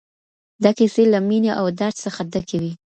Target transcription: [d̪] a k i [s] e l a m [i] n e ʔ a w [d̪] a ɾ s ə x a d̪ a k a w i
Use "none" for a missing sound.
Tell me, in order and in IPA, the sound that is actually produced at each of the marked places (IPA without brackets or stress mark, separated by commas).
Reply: d̪, s, i, d̪